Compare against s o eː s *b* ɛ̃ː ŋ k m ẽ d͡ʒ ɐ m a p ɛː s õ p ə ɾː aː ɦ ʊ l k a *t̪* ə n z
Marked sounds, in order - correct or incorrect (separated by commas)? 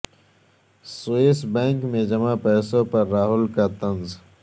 correct, correct